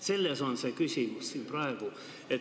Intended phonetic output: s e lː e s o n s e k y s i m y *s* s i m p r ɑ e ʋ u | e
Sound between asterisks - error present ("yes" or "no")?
no